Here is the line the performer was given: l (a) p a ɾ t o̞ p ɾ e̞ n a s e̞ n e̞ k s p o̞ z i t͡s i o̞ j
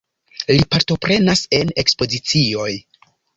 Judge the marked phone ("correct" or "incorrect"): incorrect